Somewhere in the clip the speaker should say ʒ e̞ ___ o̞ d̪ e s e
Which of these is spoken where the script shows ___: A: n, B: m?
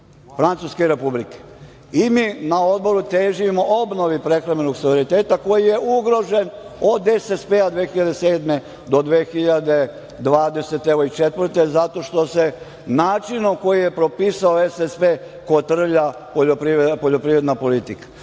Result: A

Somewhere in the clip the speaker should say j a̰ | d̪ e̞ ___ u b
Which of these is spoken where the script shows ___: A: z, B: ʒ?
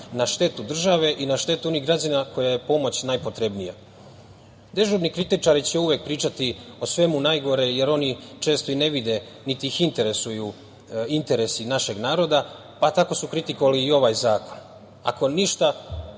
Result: B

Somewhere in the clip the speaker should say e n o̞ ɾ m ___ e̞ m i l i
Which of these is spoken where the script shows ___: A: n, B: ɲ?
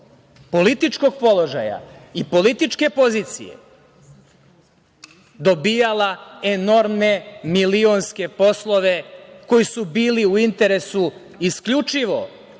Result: A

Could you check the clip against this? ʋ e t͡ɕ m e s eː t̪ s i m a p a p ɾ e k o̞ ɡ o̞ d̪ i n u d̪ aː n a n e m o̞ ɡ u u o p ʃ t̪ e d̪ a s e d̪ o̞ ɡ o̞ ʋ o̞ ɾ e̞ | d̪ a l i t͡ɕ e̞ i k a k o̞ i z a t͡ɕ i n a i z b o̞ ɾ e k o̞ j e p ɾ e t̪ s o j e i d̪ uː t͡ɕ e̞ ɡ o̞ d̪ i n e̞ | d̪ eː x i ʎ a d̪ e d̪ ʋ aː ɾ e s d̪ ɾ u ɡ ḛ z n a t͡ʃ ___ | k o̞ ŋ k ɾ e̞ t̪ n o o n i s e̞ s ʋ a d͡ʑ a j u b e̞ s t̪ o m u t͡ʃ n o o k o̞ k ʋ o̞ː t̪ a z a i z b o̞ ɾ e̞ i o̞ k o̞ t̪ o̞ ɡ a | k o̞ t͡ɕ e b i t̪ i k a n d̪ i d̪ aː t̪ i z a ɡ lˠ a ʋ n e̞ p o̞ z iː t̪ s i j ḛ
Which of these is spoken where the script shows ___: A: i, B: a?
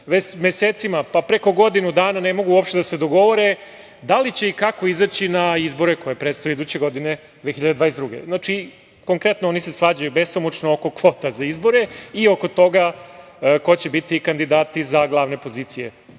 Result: A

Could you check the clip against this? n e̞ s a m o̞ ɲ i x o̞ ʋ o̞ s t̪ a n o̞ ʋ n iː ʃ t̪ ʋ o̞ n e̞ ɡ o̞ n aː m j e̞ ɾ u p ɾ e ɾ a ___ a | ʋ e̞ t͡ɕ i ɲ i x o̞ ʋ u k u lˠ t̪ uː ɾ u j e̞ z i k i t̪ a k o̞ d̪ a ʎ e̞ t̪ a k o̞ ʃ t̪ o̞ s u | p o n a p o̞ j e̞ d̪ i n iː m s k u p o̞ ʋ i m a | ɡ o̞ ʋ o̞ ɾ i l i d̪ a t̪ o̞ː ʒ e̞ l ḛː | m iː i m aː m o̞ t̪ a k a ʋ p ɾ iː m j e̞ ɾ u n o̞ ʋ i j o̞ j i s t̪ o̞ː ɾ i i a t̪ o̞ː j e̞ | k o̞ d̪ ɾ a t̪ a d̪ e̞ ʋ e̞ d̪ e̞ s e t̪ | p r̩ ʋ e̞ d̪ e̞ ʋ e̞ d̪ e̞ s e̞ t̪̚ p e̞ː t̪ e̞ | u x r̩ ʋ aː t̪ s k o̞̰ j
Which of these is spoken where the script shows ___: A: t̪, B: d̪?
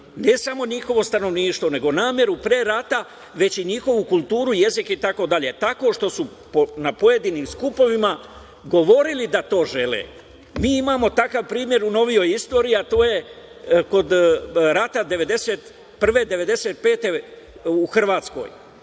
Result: A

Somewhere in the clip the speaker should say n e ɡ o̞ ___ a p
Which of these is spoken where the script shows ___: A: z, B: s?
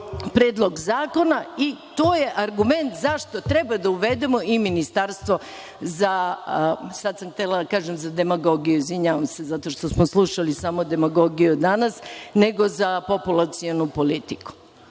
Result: A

